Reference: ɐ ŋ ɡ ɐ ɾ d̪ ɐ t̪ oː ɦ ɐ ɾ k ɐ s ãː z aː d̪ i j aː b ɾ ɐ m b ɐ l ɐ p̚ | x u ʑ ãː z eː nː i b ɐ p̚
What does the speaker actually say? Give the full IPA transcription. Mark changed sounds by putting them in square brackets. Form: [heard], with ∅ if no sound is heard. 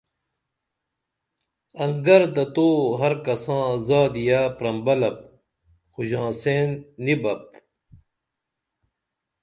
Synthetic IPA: ɐ ŋ ɡ ɐ ɾ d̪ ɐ t̪ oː ɦ ɐ ɾ k ɐ s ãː z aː d̪ i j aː [p] ɾ ɐ m b ɐ l ɐ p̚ | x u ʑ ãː [s] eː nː i b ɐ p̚